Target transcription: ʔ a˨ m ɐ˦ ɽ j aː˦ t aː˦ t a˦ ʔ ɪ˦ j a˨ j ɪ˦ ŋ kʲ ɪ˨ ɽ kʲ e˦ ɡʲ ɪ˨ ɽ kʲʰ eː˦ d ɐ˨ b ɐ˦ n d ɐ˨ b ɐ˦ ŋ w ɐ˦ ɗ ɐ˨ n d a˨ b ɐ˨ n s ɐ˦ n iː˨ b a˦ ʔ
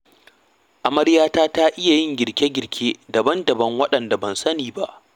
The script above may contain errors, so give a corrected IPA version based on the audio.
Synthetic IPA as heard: ʔ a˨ m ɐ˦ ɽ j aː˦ t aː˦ t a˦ ʔ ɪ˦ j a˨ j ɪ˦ ŋ ɡʲ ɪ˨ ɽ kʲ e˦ ɡʲ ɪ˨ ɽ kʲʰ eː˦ d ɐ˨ b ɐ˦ n d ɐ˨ b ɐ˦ ŋ w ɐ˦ ɗ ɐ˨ n d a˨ b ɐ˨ n s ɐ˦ n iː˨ b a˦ ʔ